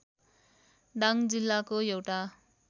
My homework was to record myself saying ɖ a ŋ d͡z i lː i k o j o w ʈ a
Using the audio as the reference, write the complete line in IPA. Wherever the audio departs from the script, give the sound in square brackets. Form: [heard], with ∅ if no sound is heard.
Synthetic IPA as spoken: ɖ a ŋ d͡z i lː [a] k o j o w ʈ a